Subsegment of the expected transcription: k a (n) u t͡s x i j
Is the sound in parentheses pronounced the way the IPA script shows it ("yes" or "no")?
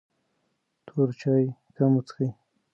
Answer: no